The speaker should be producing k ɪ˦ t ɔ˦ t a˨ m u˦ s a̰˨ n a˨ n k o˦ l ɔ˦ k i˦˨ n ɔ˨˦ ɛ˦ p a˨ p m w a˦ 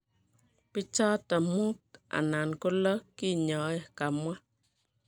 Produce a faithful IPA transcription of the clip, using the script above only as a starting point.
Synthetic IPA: p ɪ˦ t͡ʃ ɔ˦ t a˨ m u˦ t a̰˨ n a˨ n k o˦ l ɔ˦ k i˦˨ ɲ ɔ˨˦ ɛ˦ k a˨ m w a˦